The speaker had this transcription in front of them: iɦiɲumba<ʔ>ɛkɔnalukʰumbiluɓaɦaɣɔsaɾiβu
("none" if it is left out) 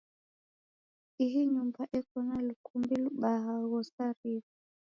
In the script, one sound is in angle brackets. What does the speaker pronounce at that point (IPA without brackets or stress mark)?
ʔ